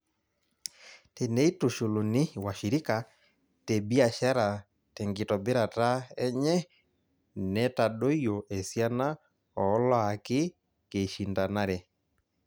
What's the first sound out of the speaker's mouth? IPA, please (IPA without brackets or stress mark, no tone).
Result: t